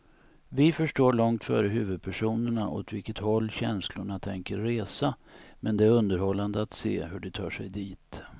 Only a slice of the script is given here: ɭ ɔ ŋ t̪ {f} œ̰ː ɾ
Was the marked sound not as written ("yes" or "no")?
no